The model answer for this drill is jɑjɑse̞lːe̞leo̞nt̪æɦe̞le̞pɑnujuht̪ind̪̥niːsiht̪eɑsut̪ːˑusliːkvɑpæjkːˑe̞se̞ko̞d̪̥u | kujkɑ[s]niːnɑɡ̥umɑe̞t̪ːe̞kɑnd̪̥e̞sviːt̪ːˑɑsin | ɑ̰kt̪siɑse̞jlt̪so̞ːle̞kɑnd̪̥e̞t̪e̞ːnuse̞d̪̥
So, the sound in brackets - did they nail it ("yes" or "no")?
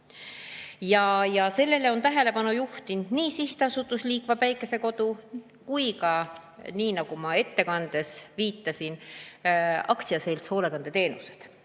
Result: no